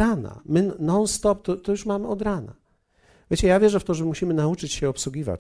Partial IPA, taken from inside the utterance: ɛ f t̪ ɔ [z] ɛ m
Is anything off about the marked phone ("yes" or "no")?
yes